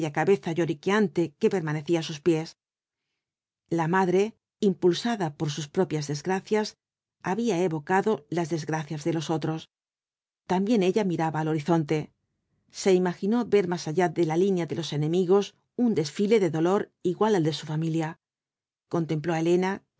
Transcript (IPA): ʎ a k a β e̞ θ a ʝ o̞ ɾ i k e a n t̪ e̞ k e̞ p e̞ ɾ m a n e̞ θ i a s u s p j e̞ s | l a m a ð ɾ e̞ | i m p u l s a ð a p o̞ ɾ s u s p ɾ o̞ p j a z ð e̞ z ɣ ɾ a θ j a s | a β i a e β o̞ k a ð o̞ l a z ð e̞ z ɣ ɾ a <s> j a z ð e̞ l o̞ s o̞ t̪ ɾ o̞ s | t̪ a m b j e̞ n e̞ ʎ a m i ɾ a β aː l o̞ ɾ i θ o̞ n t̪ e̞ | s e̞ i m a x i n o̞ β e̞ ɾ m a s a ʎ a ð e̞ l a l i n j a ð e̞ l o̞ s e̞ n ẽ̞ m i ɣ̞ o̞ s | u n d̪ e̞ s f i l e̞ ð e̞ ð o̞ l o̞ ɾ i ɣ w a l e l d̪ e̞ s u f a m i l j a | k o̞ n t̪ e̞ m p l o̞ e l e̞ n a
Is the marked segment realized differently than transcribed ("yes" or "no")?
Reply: yes